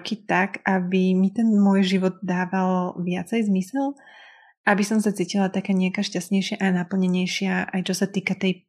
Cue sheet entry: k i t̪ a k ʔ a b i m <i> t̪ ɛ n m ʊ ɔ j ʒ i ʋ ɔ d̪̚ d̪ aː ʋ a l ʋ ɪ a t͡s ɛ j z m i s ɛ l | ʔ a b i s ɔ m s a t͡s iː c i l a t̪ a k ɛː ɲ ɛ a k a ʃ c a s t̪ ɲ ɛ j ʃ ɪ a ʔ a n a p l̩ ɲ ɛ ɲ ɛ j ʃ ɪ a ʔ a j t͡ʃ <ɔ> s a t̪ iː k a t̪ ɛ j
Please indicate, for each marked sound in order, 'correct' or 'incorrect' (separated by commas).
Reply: correct, correct